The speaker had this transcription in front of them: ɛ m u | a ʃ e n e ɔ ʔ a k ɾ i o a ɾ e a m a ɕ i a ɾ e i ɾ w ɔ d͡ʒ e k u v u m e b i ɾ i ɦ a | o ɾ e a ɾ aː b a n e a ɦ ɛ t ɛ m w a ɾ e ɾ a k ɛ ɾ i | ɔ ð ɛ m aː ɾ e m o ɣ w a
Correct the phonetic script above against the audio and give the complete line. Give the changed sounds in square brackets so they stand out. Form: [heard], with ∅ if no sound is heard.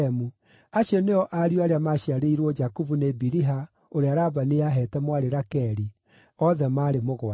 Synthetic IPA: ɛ m u | a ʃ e n e ɔ ʔ a [∅] ɾ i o a ɾ e a m a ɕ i a ɾ e i ɾ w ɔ d͡ʒ [a] k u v u [n] e b i ɾ i ɦ a | o ɾ e a ɾ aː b a n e a ɦ ɛ t ɛ m w a ɾ e ɾ a k ɛ ɾ i | ɔ ð ɛ m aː ɾ e m o ɣ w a